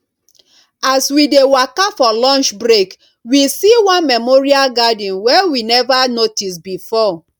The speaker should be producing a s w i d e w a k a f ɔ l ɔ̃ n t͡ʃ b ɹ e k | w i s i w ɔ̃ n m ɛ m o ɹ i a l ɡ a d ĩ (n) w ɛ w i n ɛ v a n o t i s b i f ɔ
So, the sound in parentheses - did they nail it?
yes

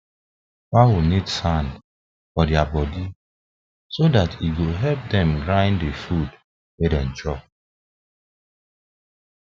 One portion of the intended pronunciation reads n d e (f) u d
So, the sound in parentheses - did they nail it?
yes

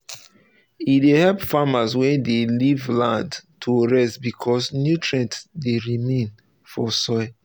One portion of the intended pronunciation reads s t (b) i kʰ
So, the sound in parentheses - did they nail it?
yes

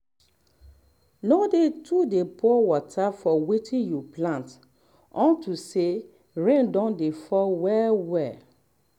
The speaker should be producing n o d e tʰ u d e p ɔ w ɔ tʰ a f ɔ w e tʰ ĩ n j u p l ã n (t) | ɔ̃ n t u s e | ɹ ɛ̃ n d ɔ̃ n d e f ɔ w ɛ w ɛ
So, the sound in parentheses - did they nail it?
yes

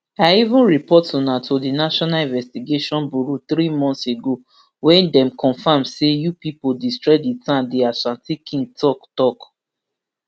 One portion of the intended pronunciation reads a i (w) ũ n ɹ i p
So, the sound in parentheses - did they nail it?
no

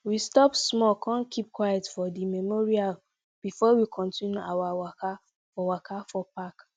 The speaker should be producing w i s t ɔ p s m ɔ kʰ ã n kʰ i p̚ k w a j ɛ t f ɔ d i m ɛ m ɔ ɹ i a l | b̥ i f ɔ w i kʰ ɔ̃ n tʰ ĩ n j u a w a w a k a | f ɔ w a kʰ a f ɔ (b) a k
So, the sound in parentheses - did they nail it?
no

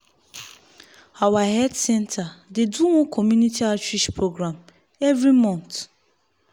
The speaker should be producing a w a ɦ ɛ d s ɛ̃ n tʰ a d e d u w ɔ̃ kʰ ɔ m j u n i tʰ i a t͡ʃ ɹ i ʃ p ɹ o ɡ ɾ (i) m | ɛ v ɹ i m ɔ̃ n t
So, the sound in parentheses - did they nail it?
no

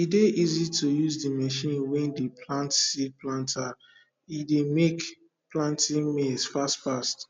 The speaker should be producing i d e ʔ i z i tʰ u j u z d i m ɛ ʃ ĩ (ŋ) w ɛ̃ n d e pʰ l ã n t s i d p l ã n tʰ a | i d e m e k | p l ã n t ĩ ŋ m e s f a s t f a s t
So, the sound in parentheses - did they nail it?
no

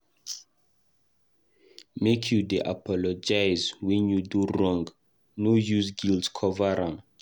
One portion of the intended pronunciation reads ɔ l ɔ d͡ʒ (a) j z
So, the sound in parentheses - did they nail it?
yes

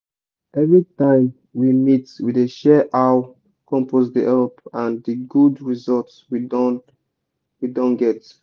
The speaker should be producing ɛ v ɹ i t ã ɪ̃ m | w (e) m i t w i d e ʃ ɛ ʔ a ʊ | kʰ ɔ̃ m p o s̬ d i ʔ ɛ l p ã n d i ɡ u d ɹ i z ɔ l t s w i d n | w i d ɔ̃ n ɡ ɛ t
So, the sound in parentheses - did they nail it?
no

